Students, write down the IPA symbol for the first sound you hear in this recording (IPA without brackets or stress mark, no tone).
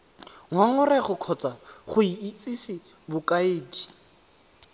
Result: ŋ